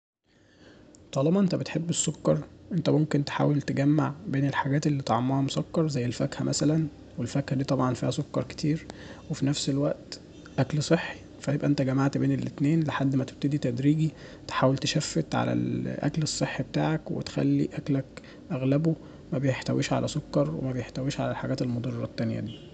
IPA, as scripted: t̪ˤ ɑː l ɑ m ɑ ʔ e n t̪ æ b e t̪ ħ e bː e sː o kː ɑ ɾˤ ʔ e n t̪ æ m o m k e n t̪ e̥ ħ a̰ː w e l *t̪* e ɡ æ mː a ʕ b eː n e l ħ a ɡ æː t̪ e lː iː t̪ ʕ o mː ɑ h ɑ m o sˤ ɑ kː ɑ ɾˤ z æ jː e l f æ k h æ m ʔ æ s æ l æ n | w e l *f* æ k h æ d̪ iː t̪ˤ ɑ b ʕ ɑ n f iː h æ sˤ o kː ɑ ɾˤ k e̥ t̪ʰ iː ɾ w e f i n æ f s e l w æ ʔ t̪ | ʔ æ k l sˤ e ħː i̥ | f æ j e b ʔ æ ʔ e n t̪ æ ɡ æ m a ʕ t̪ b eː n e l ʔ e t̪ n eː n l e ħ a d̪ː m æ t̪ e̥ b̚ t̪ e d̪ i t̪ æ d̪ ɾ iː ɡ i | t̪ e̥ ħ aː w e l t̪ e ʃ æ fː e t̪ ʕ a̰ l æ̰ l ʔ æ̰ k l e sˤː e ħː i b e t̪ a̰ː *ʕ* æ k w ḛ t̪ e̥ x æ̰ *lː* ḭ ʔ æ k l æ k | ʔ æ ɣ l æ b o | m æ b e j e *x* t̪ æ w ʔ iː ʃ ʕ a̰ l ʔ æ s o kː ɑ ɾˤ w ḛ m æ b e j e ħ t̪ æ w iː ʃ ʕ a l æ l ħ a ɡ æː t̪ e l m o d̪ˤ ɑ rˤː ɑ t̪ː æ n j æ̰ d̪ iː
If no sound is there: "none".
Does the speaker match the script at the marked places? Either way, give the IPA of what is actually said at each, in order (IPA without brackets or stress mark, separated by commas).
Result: t̪, f, ʕ, lː, ħ